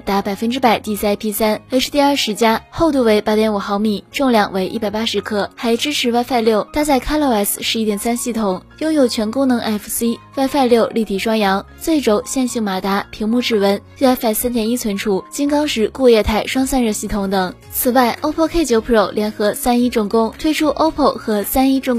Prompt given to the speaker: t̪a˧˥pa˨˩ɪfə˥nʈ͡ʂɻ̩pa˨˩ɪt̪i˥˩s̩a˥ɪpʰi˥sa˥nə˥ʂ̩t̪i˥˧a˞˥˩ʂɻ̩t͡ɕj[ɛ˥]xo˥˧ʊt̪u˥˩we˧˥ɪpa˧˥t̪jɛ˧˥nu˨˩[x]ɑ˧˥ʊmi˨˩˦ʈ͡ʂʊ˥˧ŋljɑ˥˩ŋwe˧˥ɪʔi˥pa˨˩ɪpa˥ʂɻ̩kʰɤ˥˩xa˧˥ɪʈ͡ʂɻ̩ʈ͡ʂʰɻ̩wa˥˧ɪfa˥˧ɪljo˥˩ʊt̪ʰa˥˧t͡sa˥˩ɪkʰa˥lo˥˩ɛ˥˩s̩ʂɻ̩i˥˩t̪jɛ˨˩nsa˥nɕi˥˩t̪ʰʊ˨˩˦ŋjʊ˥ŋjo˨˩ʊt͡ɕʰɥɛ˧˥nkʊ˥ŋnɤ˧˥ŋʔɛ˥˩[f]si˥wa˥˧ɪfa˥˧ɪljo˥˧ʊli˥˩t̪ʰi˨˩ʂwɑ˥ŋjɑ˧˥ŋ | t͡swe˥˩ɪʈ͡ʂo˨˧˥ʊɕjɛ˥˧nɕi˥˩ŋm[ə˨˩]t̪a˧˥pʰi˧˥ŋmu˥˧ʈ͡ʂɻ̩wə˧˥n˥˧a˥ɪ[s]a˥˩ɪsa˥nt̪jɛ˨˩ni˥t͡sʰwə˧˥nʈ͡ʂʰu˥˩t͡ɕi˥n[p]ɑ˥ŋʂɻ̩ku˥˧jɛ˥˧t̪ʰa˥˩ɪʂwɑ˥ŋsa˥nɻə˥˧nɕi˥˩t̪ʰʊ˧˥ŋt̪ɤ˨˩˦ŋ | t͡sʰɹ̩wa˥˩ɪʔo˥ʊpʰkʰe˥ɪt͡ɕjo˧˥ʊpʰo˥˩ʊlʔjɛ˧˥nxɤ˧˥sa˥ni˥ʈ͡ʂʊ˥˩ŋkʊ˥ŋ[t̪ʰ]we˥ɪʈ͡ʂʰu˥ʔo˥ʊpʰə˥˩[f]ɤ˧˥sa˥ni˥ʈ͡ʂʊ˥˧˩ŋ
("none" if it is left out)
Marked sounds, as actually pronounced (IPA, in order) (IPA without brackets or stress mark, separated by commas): a˥, x, f, a˨˩, f, k, t̪ʰ, x